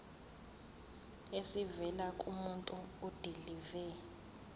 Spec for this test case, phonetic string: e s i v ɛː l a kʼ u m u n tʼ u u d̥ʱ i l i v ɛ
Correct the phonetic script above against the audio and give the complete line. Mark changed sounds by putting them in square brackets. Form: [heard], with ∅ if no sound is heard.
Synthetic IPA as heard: e s i v [ɛ] l a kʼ u m u n tʼ u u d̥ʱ i l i v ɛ